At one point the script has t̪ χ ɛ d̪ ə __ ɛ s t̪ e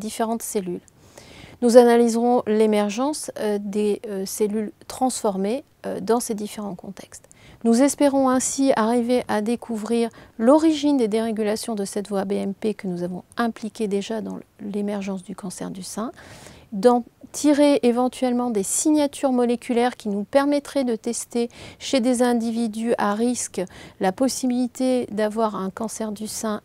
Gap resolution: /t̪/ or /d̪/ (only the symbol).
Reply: t̪